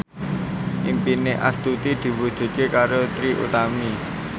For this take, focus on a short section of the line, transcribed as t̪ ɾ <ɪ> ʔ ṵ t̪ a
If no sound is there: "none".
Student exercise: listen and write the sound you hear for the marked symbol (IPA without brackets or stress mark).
i